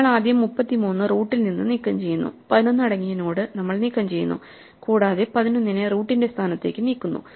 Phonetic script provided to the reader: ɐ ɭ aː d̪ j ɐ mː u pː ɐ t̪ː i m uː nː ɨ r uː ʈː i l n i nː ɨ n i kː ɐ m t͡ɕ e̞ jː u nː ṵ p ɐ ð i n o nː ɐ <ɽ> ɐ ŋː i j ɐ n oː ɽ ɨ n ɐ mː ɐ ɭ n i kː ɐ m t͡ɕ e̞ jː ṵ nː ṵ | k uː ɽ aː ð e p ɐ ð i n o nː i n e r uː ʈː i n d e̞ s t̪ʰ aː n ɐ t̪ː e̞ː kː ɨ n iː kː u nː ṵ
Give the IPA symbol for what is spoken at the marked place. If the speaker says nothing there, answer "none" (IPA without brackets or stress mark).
ɽ